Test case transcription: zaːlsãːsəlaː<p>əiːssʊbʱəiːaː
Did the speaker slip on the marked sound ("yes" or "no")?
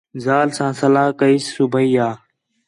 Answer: yes